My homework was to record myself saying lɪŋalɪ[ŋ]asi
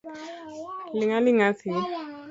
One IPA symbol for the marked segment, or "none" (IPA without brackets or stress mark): ŋ